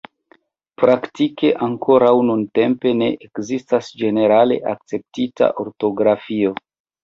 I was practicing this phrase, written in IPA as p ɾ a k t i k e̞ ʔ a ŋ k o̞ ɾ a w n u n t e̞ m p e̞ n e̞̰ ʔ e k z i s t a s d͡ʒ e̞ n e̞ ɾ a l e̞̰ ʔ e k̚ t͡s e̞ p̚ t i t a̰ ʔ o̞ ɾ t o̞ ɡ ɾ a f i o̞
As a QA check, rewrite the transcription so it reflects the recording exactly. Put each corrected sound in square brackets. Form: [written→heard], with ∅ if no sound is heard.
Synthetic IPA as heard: p ɾ a k t i k e̞ ʔ a ŋ k o̞ ɾ a w n u n t e̞ m p e̞ n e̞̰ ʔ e k z i s t a s d͡ʒ e̞ n e̞ ɾ a l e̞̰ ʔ [e→a] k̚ t͡s e̞ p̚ t i t a̰ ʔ o̞ ɾ t o̞ ɡ ɾ a f i o̞